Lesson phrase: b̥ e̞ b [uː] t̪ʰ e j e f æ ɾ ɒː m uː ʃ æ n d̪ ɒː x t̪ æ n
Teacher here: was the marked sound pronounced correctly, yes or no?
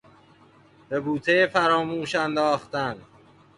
yes